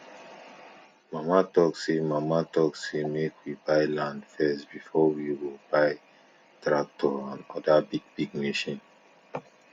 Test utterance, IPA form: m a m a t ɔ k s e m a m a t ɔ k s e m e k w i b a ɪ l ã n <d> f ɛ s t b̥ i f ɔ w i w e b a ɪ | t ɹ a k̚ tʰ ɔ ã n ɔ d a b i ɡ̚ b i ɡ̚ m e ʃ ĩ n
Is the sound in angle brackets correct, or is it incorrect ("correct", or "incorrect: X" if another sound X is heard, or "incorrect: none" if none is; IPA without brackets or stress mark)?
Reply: correct